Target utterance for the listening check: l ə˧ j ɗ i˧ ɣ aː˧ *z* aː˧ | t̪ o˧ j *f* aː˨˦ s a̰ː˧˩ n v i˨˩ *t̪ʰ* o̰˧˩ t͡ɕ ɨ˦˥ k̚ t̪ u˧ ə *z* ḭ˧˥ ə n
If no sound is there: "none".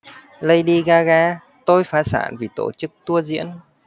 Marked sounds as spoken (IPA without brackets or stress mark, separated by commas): ɣ, f, t̪, z